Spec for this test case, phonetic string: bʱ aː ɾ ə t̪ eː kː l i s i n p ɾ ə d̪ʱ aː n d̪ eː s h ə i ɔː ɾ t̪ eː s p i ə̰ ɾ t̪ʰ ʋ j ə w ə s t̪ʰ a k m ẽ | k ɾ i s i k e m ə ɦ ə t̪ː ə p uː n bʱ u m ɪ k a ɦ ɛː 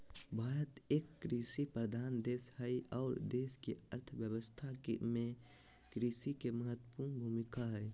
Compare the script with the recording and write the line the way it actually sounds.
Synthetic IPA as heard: bʱ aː ɾ ə t̪ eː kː ɾ i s i p ɾ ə d̪ʱ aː n d̪ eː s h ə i ɔː ɾ d̪ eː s k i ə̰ ɾ t̪ʰ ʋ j ə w ə s t̪ʰ a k m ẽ | k ɾ i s i k e m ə ɦ ə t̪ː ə p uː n bʱ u m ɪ k a ɦ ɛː